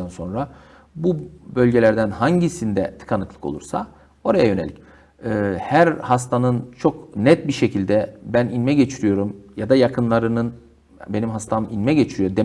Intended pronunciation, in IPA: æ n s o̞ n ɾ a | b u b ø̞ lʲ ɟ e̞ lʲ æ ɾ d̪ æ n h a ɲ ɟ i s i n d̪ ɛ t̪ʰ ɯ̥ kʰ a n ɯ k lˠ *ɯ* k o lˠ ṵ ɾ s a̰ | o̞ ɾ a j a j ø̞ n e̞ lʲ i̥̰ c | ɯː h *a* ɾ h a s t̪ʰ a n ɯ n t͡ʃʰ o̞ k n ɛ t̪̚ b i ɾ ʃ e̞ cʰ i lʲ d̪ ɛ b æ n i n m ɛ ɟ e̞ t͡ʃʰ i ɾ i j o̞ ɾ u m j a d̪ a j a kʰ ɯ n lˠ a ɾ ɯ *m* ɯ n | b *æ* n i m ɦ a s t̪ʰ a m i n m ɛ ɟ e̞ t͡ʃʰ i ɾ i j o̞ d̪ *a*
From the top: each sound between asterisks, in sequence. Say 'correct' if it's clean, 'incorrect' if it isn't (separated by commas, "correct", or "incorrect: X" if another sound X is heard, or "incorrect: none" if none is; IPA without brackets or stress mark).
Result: correct, incorrect: æ, incorrect: n, incorrect: e, incorrect: e